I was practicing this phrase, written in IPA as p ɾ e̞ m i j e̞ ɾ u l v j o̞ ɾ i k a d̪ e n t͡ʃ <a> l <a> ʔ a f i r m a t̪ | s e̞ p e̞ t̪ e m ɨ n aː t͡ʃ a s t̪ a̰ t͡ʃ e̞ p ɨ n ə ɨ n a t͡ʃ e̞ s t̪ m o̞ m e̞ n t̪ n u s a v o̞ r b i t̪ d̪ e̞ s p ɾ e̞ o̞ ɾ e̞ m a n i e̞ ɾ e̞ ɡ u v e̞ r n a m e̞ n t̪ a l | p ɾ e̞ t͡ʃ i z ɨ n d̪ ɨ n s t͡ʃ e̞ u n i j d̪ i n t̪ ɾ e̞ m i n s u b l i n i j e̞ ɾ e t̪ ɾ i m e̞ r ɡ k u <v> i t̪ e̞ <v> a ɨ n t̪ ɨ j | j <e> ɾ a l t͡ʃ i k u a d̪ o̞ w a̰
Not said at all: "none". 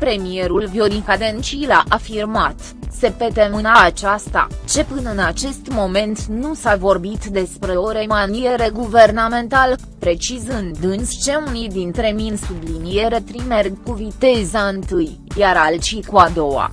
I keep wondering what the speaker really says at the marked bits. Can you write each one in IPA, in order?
i, a, v, z, a

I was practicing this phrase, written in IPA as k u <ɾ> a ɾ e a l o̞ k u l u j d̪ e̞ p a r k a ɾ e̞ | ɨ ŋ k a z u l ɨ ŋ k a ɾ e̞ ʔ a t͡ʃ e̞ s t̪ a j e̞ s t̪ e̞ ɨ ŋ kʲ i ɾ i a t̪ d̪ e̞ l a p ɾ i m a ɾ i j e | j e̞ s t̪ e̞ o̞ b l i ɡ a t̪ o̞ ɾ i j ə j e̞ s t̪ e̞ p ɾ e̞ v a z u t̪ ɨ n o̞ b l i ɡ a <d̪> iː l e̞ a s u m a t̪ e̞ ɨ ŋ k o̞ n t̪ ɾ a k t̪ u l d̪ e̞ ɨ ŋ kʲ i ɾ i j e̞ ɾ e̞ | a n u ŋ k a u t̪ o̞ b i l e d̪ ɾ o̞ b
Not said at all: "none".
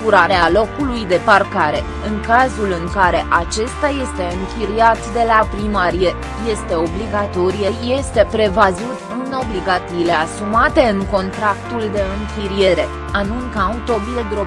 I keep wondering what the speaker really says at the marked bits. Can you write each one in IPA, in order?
ɾ, t̪

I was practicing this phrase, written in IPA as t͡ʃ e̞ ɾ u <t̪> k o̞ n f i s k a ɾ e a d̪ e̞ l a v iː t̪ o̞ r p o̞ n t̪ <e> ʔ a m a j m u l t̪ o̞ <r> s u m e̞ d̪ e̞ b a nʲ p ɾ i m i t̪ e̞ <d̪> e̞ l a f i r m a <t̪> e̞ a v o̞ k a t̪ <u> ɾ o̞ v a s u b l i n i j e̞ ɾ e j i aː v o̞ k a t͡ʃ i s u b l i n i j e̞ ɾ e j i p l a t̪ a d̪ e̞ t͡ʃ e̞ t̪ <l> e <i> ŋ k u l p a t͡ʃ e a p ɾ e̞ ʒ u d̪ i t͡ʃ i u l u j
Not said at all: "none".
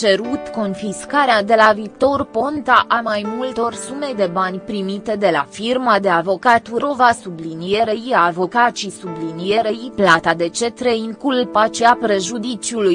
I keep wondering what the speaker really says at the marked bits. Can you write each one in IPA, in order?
t̪, a, r, d̪, d̪, u, ɾ, i

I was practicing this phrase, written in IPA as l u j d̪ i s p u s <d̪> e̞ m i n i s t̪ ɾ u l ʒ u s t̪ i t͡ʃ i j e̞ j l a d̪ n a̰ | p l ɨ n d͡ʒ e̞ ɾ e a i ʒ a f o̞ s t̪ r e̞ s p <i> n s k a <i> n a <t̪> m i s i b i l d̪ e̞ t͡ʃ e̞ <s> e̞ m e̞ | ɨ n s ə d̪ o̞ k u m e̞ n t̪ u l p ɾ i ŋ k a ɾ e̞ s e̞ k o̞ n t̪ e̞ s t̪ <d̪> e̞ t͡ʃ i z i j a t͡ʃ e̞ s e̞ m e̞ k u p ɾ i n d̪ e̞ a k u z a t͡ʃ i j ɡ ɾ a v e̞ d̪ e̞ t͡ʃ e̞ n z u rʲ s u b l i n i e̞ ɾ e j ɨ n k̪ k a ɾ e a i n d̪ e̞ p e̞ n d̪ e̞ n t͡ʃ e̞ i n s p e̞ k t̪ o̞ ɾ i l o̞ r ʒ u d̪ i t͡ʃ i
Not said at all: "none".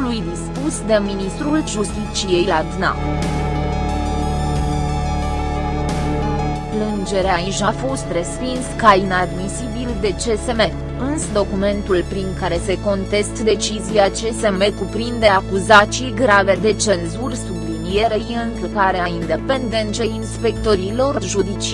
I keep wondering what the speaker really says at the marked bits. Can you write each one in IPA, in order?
d̪, i, i, d̪, s, d̪

